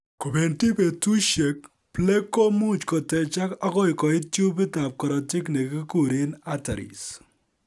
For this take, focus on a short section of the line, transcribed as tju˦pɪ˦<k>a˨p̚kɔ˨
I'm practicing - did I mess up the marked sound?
yes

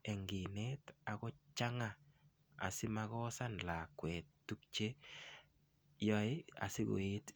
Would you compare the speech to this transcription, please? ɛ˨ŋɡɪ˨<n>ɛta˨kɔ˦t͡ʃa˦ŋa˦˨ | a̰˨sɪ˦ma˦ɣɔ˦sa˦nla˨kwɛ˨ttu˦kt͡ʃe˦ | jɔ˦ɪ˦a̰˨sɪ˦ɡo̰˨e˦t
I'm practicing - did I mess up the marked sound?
no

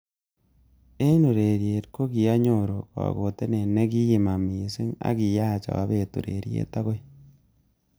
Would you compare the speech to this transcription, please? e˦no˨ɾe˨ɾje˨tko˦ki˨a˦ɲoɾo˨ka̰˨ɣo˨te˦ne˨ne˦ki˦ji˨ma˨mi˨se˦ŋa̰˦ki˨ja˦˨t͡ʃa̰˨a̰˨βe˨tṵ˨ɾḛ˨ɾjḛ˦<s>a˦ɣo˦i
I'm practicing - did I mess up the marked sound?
yes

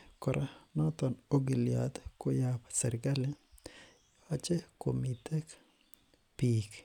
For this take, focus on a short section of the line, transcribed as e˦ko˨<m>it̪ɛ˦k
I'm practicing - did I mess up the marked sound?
no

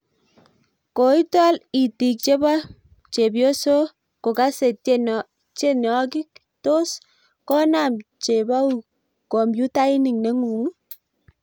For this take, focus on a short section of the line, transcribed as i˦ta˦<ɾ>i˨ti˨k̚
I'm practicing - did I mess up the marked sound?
yes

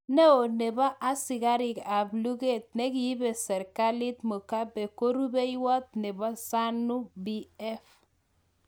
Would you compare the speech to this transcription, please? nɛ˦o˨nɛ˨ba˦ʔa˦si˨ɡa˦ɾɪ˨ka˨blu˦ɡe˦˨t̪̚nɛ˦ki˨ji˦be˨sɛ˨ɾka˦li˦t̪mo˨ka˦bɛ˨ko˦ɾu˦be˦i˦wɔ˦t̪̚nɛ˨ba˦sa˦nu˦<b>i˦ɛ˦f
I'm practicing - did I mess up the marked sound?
no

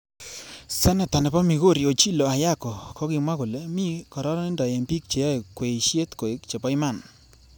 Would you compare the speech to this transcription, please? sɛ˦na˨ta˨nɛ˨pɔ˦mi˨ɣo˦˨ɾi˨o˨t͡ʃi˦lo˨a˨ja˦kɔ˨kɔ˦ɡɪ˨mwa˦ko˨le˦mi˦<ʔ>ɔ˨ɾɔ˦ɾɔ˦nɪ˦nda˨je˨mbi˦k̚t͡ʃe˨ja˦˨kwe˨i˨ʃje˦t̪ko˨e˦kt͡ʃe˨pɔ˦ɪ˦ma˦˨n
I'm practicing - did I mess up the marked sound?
yes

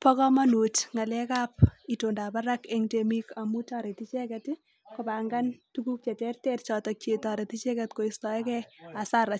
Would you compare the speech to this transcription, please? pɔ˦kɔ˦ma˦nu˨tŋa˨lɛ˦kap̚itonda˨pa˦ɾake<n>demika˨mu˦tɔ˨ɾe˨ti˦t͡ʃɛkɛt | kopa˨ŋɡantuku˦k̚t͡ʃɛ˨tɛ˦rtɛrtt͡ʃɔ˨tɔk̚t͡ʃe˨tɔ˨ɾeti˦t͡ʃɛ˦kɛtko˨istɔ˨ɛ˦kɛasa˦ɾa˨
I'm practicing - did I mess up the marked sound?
yes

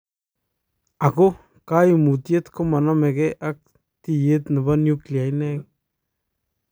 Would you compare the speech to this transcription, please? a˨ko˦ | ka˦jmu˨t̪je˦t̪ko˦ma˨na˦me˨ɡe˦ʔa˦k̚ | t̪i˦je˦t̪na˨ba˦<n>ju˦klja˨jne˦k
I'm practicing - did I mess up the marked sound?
no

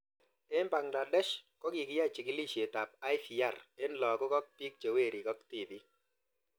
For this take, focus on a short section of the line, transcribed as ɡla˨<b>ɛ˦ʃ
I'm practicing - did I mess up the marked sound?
yes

